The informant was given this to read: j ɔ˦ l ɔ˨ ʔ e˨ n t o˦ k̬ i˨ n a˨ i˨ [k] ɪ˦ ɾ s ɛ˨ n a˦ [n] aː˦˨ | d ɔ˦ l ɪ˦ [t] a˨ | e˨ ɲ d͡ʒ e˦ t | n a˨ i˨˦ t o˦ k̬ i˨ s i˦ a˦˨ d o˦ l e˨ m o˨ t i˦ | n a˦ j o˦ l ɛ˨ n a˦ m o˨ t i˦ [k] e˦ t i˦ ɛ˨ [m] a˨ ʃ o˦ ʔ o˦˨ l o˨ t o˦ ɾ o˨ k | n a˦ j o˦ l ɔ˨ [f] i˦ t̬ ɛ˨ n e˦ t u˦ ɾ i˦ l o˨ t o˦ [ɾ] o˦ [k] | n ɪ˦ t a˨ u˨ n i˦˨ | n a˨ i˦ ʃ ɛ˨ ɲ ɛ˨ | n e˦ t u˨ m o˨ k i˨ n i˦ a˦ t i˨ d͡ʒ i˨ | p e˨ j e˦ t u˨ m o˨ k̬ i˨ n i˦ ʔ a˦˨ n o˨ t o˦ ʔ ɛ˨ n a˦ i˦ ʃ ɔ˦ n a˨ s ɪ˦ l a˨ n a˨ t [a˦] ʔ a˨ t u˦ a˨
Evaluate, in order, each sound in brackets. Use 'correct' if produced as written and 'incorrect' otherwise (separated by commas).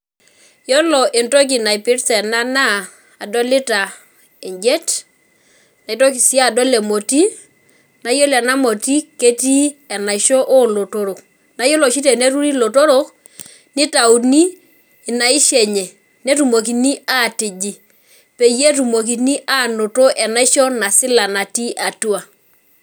incorrect, correct, correct, correct, incorrect, incorrect, correct, correct, incorrect